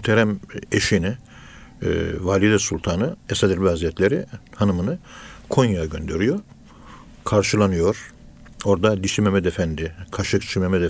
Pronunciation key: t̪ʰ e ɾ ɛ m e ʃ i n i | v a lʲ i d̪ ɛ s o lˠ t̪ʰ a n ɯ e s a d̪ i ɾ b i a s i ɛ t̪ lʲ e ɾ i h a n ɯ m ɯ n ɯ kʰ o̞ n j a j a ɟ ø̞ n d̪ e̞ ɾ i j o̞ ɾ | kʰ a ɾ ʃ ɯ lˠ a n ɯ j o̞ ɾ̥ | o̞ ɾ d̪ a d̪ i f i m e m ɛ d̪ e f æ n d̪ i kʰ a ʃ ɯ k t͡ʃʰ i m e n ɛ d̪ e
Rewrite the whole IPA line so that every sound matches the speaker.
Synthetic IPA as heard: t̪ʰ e ɾ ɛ m e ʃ i n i | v a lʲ i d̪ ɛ s u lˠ t̪ʰ a n ɯ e s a d̪ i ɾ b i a z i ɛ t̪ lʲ e ɾ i h a n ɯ m ɯ n ɯ kʰ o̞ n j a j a ɟ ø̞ n d̪ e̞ ɾ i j o̞ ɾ | kʰ a ɾ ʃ ɯ lˠ a n ɯ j o̞ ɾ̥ | o̞ ɾ d̪ a d̪ i ʃ i m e m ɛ d̪ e f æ n d̪ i kʰ a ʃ ɯ k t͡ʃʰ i m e m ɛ d̪ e